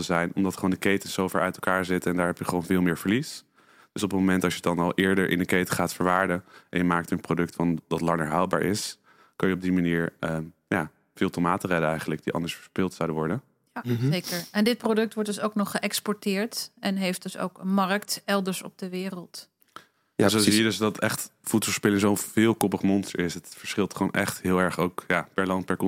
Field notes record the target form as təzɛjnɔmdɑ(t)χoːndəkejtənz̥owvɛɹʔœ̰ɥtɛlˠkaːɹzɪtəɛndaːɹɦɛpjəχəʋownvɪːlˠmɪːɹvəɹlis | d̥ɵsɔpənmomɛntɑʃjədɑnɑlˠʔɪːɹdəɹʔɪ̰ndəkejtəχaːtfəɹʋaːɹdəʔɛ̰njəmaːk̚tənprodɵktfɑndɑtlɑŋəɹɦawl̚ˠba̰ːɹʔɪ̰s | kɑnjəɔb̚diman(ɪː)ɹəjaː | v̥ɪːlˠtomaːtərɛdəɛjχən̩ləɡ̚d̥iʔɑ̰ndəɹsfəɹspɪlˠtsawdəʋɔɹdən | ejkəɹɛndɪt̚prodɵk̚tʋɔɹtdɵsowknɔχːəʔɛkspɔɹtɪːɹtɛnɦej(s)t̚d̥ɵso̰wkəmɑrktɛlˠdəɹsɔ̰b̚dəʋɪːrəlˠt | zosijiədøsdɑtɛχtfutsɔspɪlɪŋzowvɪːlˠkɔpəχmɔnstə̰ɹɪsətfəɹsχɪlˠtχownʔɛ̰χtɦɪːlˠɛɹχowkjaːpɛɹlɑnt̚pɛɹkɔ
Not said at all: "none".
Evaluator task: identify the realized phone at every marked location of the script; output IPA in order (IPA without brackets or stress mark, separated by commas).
t, iː, f